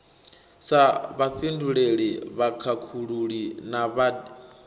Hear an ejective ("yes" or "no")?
no